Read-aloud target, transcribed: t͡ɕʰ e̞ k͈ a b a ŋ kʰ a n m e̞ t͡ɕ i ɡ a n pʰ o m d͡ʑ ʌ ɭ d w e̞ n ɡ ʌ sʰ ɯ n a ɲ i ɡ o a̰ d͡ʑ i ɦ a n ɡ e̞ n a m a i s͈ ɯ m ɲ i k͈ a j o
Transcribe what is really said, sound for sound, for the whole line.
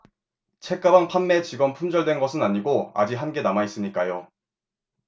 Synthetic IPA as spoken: t͡ɕʰ e̞ k͈ a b a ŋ pʰ a n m e̞ t͡ɕ i ɡ ʌ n pʰ u m d͡ʑ ʌ ɭ d w e̞ n ɡ ʌ sʰ ɯ n a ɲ i ɡ o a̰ d͡ʑ i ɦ a n ɡ e̞ n a m a i s͈ ɯ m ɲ i k͈ a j o